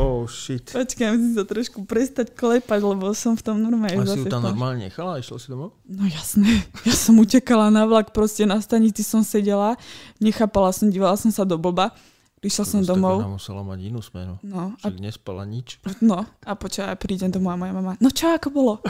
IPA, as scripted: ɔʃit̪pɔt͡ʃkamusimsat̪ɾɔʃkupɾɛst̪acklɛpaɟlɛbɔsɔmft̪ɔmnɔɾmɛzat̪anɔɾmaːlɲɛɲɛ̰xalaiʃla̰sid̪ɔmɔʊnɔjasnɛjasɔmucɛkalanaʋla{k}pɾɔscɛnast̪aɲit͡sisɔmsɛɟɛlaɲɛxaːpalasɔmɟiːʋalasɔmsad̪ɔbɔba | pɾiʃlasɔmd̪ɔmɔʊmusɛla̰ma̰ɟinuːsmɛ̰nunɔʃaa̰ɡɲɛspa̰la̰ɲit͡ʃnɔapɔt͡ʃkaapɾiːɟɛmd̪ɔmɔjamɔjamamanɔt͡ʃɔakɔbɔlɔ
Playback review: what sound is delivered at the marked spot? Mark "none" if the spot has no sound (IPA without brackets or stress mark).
k